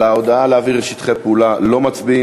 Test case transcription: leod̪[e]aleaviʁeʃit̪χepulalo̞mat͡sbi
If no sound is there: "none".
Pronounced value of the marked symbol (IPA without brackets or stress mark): a